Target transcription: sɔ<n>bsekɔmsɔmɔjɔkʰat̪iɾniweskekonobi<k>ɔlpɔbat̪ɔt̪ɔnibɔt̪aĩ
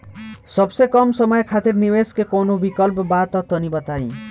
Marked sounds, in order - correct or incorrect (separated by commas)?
incorrect, correct